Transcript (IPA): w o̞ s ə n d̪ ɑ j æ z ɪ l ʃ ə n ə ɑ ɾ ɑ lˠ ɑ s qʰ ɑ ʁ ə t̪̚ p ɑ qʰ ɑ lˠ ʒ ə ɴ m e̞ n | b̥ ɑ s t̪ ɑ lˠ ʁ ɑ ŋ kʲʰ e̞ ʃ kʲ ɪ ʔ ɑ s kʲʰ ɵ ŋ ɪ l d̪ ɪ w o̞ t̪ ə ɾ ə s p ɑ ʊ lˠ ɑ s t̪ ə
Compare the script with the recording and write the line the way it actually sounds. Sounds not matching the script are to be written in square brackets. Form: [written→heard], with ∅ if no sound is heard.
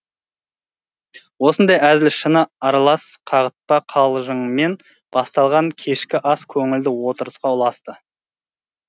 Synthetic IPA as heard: w o̞ s ə n d̪ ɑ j æ z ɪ l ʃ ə n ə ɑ ɾ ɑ lˠ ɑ s qʰ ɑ ʁ ə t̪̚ p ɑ qʰ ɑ lˠ ʒ ə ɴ m e̞ n | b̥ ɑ s t̪ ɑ lˠ ʁ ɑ ŋ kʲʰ e̞ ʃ kʲ ɪ ʔ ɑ s kʲʰ ɵ ŋ ɪ l d̪ ɪ w o̞ t̪ ə ɾ ə s [p→q] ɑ ʊ lˠ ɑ s t̪ ə